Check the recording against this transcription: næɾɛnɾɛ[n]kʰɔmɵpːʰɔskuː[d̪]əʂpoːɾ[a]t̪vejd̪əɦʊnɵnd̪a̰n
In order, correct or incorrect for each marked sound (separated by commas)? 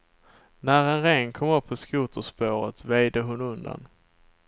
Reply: incorrect, incorrect, incorrect